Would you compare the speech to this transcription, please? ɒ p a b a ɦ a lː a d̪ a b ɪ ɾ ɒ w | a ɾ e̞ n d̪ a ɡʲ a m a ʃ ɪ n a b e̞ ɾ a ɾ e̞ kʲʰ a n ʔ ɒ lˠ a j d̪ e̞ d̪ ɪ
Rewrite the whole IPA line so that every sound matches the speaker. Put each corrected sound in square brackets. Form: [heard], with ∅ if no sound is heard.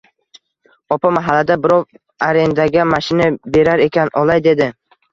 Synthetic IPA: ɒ p a [m] a ɦ a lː a d̪ a b ɪ ɾ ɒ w | a ɾ e̞ n d̪ a ɡʲ a m a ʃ ɪ n a b e̞ ɾ a ɾ e̞ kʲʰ a n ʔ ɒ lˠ a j d̪ e̞ d̪ ɪ